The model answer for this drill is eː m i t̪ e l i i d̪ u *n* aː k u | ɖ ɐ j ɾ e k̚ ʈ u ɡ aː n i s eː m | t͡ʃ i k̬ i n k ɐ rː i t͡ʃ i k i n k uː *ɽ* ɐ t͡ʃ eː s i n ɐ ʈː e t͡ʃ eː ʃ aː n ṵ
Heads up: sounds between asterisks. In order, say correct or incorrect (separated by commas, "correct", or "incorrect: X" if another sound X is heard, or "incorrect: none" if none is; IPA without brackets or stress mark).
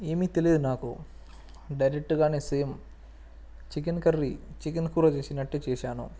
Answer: correct, incorrect: ɾ